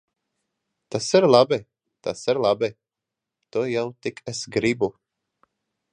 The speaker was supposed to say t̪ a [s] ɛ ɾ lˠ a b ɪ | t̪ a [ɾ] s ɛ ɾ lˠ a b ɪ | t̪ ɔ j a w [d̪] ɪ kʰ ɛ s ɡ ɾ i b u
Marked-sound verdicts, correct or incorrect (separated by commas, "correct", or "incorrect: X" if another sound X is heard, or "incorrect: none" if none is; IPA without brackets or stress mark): correct, incorrect: none, incorrect: t̪